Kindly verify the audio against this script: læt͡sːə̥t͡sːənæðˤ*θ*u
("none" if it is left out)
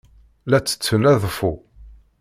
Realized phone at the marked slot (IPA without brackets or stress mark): f